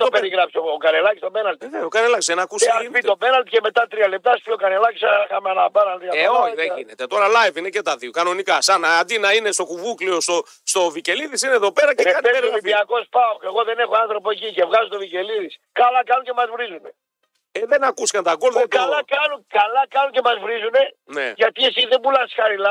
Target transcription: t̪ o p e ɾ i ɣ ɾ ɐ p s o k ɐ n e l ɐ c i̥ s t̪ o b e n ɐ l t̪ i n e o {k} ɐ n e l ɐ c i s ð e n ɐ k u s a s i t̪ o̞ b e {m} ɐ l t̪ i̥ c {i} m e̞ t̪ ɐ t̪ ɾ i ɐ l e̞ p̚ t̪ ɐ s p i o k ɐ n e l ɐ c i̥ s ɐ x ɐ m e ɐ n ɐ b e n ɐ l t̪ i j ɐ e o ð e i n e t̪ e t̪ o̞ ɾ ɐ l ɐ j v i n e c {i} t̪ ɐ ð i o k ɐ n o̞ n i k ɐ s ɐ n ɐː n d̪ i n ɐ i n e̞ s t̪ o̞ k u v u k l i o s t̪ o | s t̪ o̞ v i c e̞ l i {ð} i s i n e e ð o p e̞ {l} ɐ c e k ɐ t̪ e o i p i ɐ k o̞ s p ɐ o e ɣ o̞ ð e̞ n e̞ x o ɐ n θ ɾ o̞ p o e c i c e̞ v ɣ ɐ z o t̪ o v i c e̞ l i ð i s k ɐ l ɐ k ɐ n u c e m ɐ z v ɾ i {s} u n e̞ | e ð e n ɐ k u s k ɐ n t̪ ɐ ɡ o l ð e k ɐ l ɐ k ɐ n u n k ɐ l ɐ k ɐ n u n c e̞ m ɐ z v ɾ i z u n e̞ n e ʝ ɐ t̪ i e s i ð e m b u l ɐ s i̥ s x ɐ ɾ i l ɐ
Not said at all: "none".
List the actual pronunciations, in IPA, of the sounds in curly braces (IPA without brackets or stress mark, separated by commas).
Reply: k, n, e, e, ð, ɾ, z